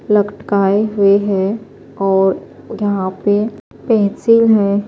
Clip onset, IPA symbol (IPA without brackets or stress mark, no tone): l